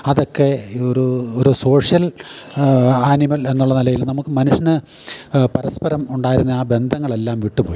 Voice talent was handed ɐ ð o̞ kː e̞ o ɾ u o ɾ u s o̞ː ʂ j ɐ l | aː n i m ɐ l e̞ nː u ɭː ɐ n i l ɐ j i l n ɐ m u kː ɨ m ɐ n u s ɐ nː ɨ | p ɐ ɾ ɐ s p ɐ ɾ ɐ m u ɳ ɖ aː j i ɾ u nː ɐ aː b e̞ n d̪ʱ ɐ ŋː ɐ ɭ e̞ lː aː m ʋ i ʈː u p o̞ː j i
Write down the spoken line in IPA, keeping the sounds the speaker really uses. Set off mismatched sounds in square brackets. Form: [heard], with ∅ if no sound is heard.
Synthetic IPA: ɐ ð o̞ kː e̞ o ɾ u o ɾ u s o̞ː ʂ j ɐ l | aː n i m ɐ l e̞ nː u ɭː ɐ n i l ɐ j i l n ɐ m u kː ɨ m ɐ n u [ʂ] ɐ [n] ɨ | p ɐ ɾ ɐ s p ɐ ɾ ɐ m u ɳ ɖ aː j i ɾ u nː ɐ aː b e̞ n d̪ʱ ɐ ŋː ɐ ɭ e̞ lː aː m ʋ i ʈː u p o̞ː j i